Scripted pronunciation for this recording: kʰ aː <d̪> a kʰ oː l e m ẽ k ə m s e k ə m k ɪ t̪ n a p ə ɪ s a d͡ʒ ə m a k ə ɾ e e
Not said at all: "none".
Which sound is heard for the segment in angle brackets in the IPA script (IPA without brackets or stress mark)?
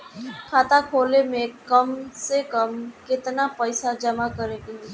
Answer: t̪